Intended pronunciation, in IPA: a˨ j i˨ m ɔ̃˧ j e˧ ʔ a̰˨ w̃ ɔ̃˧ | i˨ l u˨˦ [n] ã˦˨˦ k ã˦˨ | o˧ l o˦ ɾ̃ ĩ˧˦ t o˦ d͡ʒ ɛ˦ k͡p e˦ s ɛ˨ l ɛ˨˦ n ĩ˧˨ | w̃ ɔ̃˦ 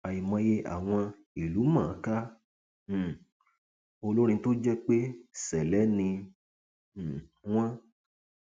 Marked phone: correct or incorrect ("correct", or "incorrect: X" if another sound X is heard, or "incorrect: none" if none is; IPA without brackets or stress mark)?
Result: incorrect: m